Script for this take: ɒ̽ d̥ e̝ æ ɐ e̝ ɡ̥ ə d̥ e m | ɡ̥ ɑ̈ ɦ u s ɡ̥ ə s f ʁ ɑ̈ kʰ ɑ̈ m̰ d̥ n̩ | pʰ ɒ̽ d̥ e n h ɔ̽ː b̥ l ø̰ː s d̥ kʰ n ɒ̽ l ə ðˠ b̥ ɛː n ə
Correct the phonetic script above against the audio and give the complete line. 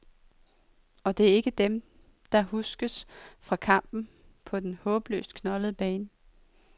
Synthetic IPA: ɒ̽ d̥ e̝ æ ɐ e̝ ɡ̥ ə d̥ e m | d̥ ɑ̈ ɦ u s ɡ̥ ə s f ʁ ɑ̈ kʰ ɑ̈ m̰ b̥ n̩ | pʰ ɒ̽ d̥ e n h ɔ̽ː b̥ l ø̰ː s d̥ kʰ n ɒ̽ l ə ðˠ b̥ ɛː n ə